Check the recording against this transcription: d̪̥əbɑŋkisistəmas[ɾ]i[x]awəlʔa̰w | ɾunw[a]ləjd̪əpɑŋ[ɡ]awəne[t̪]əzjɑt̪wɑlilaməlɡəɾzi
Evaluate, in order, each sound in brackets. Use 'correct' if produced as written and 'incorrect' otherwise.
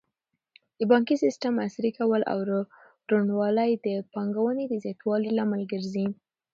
correct, incorrect: k, incorrect: ɑ, correct, incorrect: d̪

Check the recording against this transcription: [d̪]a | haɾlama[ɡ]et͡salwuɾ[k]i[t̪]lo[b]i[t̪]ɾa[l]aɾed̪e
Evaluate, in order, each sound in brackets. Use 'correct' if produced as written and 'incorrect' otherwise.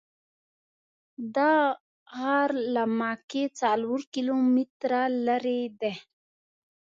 correct, incorrect: k, correct, incorrect: none, incorrect: m, correct, correct

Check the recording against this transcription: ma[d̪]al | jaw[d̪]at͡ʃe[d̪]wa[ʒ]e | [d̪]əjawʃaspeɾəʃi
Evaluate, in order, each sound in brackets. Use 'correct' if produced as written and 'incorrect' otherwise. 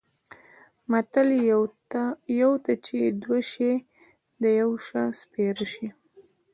incorrect: t̪, incorrect: t̪, correct, incorrect: ʃ, correct

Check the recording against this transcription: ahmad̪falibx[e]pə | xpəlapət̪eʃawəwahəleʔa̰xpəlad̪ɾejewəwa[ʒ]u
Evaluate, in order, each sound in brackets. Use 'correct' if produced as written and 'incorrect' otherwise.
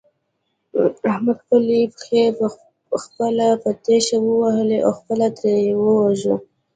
correct, correct

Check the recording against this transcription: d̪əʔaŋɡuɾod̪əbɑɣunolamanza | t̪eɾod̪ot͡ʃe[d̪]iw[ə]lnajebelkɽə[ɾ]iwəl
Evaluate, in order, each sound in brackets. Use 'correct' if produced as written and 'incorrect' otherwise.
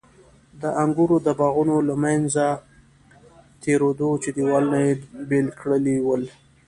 correct, incorrect: ɑ, incorrect: l

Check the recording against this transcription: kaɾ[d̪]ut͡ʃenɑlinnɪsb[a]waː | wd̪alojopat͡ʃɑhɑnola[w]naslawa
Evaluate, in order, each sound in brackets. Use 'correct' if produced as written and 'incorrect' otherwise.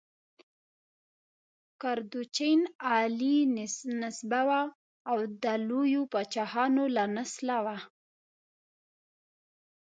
correct, correct, incorrect: none

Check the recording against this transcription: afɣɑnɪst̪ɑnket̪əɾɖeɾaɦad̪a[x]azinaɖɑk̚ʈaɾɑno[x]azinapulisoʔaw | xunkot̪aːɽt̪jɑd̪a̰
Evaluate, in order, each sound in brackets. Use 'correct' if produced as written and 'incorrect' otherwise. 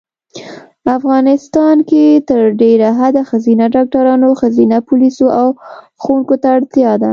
correct, correct

